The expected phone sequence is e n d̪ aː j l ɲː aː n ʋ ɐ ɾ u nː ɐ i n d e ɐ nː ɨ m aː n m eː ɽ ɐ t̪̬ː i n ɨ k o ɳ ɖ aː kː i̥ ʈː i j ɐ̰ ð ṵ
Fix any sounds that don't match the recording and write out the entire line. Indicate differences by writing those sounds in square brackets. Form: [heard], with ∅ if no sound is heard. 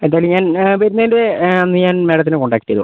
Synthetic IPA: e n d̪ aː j l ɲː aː n ʋ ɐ ɾ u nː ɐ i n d e ɐ nː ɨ [ɲ] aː n m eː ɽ ɐ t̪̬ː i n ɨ k o ɳ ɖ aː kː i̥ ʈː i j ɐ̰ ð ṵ